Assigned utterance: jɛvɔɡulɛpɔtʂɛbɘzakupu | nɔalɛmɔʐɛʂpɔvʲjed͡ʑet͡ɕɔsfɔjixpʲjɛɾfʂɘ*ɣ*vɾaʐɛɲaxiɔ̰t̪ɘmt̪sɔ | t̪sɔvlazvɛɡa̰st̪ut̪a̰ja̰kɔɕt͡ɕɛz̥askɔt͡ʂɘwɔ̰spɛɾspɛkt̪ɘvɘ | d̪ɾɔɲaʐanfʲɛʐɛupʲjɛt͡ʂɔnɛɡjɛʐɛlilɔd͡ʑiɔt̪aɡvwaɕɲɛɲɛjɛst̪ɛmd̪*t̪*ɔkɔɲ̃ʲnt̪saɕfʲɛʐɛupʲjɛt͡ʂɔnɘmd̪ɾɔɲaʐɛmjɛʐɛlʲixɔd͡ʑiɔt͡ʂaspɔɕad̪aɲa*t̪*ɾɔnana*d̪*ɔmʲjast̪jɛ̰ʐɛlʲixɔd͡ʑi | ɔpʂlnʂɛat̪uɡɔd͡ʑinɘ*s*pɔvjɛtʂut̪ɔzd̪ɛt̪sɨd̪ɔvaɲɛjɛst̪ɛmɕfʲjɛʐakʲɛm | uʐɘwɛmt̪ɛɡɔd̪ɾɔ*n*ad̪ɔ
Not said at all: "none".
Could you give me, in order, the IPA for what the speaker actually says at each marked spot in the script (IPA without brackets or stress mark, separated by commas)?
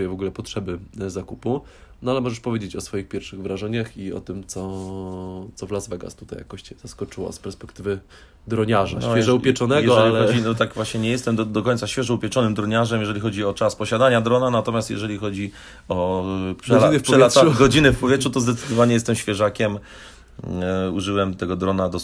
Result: ɣ, d̪, d̪, t̪, f, n